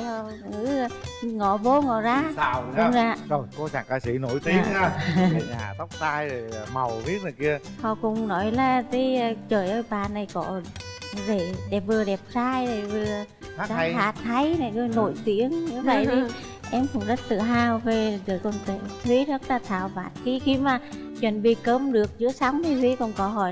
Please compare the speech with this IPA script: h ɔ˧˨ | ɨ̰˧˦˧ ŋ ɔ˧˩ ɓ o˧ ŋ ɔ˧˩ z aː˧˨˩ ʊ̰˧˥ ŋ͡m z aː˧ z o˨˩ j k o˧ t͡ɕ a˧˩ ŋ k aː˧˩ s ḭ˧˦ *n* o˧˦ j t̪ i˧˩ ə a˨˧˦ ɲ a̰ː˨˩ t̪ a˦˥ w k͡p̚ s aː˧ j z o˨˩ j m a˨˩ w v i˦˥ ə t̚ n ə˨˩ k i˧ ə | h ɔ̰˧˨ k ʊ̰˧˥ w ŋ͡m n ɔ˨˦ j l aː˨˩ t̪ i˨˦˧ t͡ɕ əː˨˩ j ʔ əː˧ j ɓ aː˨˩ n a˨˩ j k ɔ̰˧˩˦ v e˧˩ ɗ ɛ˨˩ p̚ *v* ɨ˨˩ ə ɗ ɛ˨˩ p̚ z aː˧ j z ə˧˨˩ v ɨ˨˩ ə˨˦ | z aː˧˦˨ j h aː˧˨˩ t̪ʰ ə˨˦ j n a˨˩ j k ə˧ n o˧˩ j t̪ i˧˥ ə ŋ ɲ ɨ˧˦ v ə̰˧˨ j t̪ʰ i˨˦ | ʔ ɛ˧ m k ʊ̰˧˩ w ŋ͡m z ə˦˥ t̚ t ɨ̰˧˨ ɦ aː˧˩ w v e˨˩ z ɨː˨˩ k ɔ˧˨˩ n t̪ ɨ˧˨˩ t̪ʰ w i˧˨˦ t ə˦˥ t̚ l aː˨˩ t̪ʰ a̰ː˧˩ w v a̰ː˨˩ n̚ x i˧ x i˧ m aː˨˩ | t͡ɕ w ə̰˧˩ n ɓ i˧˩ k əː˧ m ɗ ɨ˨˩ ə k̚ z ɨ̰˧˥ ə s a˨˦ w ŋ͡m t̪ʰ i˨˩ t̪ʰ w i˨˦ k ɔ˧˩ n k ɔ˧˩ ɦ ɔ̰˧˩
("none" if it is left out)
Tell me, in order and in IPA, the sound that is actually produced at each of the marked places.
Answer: n, v

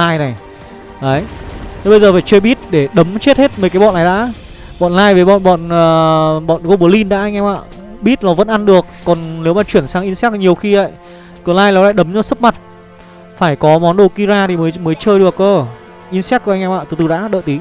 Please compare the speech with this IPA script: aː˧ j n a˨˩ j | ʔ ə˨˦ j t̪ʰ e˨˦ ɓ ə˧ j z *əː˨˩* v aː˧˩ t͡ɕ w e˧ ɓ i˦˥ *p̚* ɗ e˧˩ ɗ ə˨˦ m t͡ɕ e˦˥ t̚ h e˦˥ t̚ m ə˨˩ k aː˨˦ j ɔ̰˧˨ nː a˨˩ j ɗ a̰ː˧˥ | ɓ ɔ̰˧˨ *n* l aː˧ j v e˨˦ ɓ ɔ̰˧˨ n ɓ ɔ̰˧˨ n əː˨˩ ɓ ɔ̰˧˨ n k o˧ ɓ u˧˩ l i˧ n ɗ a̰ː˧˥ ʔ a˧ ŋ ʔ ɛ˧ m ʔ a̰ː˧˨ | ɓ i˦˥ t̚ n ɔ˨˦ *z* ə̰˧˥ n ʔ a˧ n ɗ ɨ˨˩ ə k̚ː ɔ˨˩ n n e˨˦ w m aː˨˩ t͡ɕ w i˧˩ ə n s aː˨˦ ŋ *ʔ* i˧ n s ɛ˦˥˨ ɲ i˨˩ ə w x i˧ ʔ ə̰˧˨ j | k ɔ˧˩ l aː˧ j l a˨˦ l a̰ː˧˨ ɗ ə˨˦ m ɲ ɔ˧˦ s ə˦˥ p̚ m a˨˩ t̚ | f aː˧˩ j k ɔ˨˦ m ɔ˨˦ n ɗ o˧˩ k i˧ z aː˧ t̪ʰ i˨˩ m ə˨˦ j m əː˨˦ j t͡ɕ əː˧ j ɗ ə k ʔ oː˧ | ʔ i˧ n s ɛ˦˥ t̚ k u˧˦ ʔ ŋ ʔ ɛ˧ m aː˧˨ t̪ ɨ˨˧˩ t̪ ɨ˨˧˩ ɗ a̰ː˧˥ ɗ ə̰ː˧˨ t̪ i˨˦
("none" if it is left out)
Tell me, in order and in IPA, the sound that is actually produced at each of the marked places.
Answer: əː˨˩, t̚, n, v, ʔ

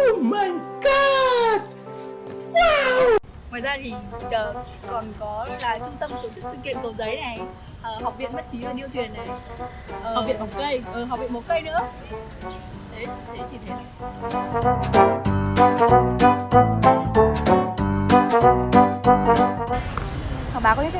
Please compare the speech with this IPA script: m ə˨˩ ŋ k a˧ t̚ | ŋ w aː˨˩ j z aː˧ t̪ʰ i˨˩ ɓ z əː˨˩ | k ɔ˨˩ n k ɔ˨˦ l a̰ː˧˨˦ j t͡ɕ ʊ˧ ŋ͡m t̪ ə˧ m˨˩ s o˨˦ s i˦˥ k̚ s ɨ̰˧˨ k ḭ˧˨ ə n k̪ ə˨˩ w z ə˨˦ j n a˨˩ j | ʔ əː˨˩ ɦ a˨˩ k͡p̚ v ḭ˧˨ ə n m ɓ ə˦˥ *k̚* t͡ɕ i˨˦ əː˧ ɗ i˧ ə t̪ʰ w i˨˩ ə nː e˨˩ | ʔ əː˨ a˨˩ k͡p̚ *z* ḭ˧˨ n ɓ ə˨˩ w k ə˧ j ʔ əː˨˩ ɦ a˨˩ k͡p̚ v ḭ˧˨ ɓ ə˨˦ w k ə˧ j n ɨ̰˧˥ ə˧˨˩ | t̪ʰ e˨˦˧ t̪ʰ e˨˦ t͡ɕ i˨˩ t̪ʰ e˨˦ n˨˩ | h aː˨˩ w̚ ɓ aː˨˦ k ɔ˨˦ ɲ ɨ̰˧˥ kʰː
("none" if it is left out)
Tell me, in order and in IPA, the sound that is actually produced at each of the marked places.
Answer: t̚, v

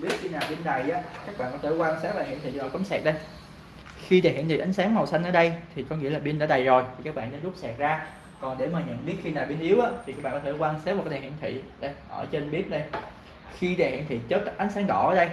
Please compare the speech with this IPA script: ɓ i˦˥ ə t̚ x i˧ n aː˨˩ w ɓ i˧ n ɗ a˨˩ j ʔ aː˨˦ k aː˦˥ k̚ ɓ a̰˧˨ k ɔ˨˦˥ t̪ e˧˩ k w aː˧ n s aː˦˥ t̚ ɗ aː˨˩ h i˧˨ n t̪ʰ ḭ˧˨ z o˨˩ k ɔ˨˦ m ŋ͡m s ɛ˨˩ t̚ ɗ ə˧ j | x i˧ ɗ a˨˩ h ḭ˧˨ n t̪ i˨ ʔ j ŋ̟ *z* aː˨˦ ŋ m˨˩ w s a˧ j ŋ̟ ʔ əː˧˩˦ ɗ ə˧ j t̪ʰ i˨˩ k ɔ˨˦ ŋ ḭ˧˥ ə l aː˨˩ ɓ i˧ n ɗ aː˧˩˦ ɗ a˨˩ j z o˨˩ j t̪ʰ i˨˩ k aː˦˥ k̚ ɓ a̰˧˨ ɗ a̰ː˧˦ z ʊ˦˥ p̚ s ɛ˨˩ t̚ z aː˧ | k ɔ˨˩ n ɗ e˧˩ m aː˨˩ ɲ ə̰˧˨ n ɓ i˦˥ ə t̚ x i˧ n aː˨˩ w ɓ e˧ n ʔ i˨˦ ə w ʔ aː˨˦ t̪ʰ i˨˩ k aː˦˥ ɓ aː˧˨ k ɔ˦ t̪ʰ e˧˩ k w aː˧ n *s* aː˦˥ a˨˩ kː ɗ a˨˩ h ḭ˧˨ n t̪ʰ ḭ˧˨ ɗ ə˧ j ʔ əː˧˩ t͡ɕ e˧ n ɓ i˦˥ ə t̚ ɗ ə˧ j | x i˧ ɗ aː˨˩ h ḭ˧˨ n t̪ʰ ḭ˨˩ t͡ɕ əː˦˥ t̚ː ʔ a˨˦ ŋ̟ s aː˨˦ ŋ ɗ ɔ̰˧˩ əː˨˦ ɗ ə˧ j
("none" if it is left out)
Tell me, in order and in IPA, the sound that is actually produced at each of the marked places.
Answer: s, s

